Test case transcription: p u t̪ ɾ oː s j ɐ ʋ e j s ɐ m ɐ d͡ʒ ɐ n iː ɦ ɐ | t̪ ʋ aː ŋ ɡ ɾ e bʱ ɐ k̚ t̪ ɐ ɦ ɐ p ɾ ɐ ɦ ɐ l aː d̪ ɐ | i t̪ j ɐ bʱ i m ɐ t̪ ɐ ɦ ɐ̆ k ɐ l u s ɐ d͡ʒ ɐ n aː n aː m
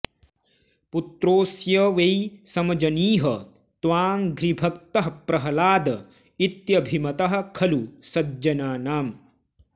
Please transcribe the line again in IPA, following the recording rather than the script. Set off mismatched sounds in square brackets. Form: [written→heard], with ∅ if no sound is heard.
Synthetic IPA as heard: p u t̪ ɾ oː s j ɐ ʋ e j s ɐ m ɐ d͡ʒ ɐ n iː ɦ ɐ | t̪ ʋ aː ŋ ɡ ɾ [e→i] bʱ ɐ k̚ t̪ ɐ ɦ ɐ p ɾ ɐ ɦ ɐ l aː d̪ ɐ | i t̪ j ɐ bʱ i m ɐ t̪ ɐ ɦ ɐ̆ [k→kʰ] ɐ l u s ɐ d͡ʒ ɐ n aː n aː m